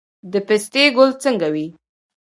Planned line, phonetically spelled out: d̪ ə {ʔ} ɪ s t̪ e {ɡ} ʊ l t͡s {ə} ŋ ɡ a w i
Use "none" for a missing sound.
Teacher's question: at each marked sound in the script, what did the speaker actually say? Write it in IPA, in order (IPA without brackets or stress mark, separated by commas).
p, ɡ, ə